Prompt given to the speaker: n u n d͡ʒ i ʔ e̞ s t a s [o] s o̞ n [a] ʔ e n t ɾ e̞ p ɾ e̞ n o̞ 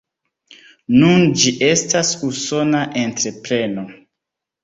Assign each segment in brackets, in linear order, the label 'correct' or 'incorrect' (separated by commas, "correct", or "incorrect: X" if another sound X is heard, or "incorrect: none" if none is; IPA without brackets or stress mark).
incorrect: u, correct